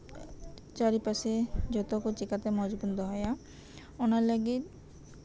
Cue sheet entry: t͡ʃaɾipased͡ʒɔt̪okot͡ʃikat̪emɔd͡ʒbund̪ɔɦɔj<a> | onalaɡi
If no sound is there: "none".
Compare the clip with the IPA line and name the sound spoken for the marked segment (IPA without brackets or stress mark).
a